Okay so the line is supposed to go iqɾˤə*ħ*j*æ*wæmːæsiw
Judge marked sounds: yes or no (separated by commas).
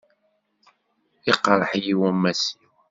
yes, no